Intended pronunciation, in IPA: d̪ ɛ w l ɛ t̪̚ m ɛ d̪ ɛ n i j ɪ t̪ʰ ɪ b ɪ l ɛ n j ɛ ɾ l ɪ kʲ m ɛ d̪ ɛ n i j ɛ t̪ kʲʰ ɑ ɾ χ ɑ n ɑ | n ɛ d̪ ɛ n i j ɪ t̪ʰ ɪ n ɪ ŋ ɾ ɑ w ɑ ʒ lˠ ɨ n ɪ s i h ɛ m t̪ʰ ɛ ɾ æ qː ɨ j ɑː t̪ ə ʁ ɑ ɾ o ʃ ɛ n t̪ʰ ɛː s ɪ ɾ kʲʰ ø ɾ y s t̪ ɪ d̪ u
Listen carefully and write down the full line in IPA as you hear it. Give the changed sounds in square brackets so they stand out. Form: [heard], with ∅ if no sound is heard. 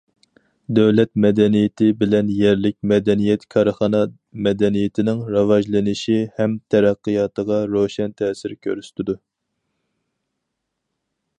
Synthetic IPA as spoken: d̪ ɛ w l ɛ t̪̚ m ɛ d̪ ɛ n i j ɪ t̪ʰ ɪ b ɪ l ɛ n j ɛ ɾ l ɪ kʲ m ɛ d̪ ɛ n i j ɛ t̪ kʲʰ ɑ ɾ χ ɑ n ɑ | [m] ɛ d̪ ɛ n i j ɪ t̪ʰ ɪ n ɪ ŋ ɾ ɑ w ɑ ʒ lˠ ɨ n ɪ [ʃ] i h ɛ m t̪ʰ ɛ ɾ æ qː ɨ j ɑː t̪ ə ʁ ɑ ɾ o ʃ ɛ n t̪ʰ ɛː s ɪ ɾ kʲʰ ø ɾ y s t̪ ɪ d̪ u